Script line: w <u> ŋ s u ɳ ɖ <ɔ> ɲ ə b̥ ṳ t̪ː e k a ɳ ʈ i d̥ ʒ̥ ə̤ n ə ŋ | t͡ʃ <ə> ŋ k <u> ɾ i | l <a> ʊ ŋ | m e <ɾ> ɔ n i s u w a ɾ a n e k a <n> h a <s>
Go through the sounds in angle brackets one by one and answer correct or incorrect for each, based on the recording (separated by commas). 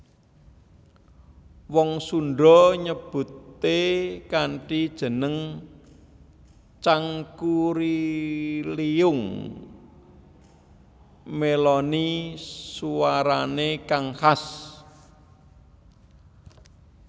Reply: incorrect, correct, incorrect, correct, incorrect, incorrect, incorrect, correct